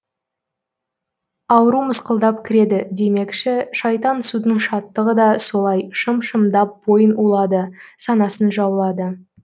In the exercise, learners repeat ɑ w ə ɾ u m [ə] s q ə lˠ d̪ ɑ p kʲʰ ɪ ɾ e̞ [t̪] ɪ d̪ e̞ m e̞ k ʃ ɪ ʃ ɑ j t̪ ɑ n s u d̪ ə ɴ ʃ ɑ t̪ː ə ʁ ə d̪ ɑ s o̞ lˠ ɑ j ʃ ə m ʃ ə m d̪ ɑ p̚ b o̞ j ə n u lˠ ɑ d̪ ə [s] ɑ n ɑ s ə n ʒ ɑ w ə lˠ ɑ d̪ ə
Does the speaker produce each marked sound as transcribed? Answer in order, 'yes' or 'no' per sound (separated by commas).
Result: yes, no, yes